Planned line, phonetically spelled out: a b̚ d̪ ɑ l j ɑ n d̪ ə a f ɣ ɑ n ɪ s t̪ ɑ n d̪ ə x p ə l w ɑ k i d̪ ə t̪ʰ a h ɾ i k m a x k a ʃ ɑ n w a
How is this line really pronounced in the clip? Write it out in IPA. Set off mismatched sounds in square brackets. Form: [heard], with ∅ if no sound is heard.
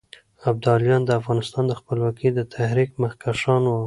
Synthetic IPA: a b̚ d̪ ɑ l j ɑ n d̪ ə a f ɣ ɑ n ɪ s t̪ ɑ n d̪ ə x p ə l w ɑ k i d̪ ə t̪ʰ a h ɾ i k m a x k a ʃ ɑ n w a